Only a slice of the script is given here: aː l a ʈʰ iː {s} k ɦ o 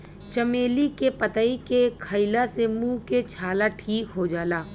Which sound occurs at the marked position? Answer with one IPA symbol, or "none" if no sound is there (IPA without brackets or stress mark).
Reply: none